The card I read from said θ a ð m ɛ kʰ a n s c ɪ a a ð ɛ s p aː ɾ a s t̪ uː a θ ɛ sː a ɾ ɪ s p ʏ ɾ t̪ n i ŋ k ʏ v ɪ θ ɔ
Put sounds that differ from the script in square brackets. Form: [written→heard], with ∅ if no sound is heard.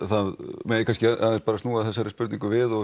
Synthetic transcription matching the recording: θ a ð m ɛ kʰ a n s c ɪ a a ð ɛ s p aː ɾ a s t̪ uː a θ ɛ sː a ɾ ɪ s p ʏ ɾ t̪ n i ŋ k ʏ v ɪ [θ→ð] ɔ